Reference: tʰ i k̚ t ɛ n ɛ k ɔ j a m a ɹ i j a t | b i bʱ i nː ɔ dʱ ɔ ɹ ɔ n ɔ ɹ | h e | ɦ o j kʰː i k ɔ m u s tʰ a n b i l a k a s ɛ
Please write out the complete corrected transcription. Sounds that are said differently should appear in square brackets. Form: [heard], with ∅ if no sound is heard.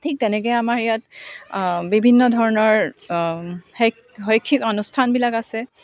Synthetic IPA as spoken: tʰ i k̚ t ɛ n ɛ k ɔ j a m a ɹ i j a t | b i bʱ i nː ɔ dʱ ɔ ɹ ɔ n ɔ ɹ | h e | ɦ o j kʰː i k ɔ [n] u s tʰ a n b i l a k a s ɛ

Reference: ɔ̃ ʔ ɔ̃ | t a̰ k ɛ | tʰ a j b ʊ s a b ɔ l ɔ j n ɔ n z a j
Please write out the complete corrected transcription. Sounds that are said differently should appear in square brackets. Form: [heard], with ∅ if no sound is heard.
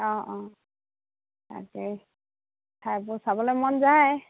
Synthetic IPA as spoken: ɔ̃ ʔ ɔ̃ | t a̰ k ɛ | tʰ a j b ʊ s a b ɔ l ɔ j [m] ɔ n z a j

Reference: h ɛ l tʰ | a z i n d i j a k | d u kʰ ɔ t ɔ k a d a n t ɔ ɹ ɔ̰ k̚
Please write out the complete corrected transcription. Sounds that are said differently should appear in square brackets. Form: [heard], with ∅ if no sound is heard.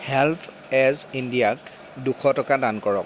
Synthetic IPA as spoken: h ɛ l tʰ | [ɛ] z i n d i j a k | d u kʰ ɔ t ɔ k a d a n [k] ɔ ɹ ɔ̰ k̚

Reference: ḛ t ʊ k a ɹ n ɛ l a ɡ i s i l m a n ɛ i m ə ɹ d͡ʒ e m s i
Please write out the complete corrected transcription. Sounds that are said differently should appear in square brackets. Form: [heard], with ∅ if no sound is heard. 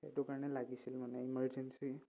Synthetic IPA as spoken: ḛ t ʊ k a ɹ n ɛ l a ɡ i s i l m a n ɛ i m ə ɹ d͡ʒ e [n] s i

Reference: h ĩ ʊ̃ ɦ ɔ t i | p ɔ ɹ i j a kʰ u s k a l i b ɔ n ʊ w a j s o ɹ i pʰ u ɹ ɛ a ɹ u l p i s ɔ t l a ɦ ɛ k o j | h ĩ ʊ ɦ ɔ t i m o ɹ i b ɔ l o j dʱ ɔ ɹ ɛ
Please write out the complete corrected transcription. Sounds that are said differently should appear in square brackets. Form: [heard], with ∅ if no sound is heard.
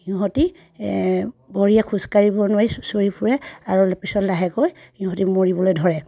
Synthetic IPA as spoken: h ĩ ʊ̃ ɦ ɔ t i | [b] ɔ ɹ i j a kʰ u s k a [ɹ] i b ɔ n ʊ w a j s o ɹ i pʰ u ɹ ɛ a ɹ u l p i s ɔ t l a ɦ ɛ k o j | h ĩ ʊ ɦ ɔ t i m o ɹ i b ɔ l o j dʱ ɔ ɹ ɛ

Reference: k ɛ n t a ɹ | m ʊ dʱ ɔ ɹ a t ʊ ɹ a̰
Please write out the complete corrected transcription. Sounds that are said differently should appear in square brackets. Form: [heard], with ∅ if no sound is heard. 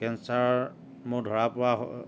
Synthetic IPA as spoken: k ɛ n [s] a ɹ | m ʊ dʱ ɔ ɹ a [p] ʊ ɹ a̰

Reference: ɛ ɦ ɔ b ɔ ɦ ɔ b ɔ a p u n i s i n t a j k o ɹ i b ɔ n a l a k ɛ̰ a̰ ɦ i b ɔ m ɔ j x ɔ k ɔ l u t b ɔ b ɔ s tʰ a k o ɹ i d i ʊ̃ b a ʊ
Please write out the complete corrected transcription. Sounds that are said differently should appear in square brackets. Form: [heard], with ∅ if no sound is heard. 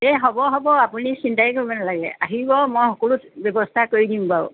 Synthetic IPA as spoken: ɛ ɦ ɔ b ɔ ɦ ɔ b ɔ a p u n i s i n t a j k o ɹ i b ɔ n a l a [ɡ] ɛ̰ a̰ ɦ i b ɔ m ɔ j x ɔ k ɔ l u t b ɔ b ɔ s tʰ a k o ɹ i d i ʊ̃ b a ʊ

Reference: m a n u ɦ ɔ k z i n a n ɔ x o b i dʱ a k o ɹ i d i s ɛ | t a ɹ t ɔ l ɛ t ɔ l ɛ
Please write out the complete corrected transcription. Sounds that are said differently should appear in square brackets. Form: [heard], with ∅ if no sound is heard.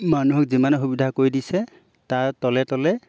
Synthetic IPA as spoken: m a n u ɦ ɔ k z i [m] a n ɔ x [u] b i dʱ a k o ɹ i d i s ɛ | t a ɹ t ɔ l ɛ t ɔ l ɛ

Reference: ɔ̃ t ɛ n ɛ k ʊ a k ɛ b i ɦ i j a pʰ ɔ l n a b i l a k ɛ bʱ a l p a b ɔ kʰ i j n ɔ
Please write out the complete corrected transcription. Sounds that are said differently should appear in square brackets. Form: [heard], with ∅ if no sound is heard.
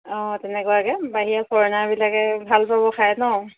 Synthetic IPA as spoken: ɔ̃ t ɛ n ɛ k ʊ a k ɛ b [a] ɦ i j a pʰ ɔ [ɹ] n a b i l a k ɛ bʱ a l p a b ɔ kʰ [a] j n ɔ

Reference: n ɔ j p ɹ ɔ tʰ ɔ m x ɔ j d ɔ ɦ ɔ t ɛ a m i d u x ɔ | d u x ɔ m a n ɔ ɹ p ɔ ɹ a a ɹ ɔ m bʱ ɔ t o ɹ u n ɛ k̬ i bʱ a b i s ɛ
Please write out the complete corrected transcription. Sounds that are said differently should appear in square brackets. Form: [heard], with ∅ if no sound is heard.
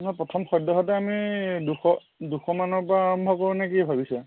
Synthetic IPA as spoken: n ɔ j p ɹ ɔ tʰ ɔ m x ɔ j d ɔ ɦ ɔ t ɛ a m i d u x ɔ | d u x ɔ m a n ɔ ɹ p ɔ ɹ a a ɹ ɔ m bʱ ɔ [k] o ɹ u n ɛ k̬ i bʱ a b i s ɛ

